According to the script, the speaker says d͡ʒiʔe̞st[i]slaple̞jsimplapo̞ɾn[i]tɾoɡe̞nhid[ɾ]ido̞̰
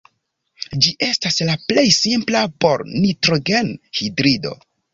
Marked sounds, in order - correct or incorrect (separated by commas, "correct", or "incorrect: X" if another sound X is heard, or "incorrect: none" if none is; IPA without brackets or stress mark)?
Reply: incorrect: a, correct, correct